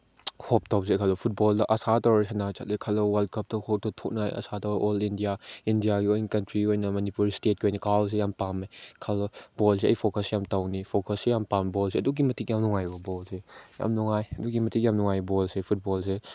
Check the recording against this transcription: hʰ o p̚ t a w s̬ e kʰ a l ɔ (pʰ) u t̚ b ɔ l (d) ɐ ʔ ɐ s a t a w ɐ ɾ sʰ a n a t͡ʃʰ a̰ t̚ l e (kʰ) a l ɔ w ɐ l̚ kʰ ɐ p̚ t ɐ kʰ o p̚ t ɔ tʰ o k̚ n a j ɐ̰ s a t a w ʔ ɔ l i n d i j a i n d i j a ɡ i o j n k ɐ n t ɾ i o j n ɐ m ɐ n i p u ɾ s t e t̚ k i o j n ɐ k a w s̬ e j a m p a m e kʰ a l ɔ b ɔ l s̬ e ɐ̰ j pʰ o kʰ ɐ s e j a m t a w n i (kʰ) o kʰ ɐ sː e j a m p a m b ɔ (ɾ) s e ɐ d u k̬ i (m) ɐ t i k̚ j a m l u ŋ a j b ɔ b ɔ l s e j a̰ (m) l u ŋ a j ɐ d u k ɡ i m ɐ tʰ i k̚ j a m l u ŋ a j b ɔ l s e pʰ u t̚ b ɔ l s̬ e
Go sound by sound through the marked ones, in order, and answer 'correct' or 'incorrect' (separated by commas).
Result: correct, correct, correct, incorrect, incorrect, correct, correct